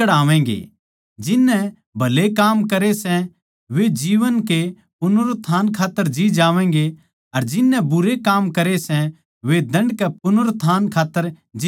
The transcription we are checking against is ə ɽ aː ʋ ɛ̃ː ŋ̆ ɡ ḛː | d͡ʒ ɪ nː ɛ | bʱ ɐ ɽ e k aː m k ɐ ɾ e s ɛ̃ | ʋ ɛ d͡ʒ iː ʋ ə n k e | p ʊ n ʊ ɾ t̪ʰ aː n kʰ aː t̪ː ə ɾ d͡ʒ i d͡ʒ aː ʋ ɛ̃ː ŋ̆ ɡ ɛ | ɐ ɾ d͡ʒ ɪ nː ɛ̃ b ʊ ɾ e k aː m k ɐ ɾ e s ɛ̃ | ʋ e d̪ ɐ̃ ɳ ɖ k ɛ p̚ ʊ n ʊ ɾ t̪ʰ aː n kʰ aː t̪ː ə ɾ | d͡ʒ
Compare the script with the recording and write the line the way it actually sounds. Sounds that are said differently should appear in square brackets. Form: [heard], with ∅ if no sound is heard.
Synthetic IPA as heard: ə ɽ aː ʋ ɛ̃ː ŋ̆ ɡ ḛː | d͡ʒ ɪ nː ɛ | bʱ ɐ [l] e k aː m k ɐ ɾ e s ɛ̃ | ʋ [e] d͡ʒ iː ʋ ə n k e | p ʊ n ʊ ɾ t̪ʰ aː n kʰ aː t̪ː ə ɾ d͡ʒ i d͡ʒ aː ʋ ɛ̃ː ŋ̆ ɡ [e] | ɐ ɾ d͡ʒ ɪ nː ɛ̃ b ʊ ɾ e k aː m k ɐ ɾ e s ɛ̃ | ʋ e d̪ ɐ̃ ɳ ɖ k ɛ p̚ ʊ n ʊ ɾ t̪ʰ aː n kʰ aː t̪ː ə ɾ | d͡ʒ